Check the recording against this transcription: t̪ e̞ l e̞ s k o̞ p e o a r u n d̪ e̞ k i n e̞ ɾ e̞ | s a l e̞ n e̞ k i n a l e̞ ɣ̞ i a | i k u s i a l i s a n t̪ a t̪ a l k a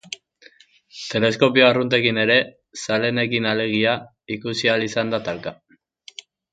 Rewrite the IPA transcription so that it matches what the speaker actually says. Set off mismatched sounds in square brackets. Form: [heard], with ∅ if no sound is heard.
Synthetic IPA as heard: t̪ e̞ l e̞ s k o̞ p [i] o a r u n [t̪] e̞ k i n e̞ ɾ e̞ | s a l e̞ n e̞ k i n a l e̞ ɣ̞ i a | i k u s i a l i s a n [d̪] a t̪ a l k a